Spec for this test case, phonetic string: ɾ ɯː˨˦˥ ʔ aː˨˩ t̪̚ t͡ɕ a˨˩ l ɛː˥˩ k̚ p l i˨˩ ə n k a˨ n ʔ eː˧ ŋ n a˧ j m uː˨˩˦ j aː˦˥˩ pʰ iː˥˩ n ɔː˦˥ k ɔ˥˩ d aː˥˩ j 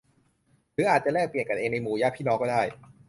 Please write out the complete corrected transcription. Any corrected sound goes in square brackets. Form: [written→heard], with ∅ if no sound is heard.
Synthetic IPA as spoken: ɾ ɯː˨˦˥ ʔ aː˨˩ t̪̚ t͡ɕ a˨˩ l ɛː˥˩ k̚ p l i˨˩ ə n k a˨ n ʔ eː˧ ŋ n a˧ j m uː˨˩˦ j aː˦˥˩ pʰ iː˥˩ n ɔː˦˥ k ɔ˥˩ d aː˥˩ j